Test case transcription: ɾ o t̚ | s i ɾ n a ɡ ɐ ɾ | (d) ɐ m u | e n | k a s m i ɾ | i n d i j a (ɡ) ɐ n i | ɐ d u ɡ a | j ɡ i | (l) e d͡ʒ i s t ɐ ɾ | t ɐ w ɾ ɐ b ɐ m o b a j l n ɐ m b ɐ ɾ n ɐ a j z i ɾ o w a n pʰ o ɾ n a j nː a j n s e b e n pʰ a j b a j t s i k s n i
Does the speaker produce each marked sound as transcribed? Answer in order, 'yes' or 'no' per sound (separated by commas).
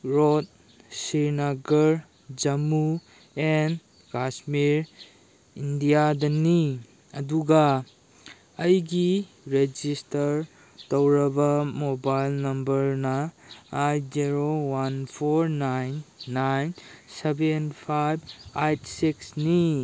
no, no, no